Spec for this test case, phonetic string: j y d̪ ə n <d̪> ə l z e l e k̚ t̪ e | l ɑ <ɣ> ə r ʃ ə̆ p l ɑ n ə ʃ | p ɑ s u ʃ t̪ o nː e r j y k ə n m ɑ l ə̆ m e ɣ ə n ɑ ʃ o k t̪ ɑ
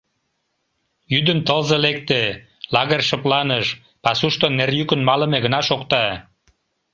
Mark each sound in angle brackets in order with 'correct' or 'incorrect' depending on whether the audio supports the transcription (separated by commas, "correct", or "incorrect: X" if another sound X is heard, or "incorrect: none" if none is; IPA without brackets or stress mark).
incorrect: t̪, correct